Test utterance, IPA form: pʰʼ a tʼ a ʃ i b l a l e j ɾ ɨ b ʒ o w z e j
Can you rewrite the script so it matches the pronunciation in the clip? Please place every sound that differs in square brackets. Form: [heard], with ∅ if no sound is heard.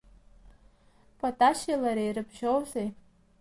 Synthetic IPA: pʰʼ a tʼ a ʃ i [∅] l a [ɾ] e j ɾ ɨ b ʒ o w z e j